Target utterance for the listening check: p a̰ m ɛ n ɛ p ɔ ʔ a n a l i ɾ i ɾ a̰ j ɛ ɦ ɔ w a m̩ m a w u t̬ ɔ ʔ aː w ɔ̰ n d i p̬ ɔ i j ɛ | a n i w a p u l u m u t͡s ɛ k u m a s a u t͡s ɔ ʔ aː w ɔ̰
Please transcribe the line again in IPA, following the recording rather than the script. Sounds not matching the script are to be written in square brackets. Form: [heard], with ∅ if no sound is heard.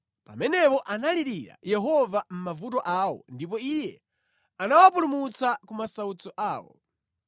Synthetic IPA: p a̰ m ɛ n ɛ p ɔ ʔ a n a l i ɾ i ɾ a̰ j ɛ ɦ ɔ [v] a m̩ m a [v] u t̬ ɔ ʔ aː w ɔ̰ n d i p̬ ɔ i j ɛ | a n [a] w a p u l u m u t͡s [a] k u m a s a u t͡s ɔ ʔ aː w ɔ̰